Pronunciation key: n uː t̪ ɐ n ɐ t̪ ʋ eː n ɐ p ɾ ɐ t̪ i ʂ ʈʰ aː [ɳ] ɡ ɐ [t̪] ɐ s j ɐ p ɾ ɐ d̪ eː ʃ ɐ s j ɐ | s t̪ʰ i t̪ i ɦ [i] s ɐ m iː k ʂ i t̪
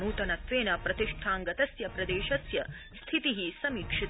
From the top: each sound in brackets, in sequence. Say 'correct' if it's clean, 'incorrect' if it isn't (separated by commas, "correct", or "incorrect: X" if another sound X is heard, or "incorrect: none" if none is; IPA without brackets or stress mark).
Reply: incorrect: ŋ, correct, correct